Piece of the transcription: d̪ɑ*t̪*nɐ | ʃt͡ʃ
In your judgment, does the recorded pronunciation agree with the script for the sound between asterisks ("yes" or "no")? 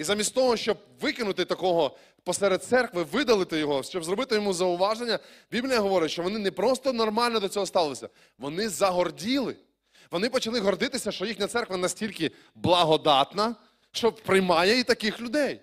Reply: yes